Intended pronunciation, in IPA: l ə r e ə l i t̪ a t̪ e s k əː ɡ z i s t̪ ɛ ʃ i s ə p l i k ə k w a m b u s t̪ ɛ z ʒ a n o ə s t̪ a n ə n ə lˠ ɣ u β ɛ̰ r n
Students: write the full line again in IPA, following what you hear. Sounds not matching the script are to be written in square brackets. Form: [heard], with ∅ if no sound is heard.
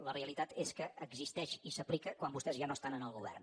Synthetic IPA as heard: l ə r e ə l i t̪ a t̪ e s k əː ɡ z i s t̪ ɛ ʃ i s ə p l i k ə k w a m b u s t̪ ɛ z ʒ a n o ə s t̪ a n ə n ə lˠ ɣ u β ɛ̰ r n